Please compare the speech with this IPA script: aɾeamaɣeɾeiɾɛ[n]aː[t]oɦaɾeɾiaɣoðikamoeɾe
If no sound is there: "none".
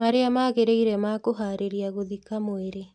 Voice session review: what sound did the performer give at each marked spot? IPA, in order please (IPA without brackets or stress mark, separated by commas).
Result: m, k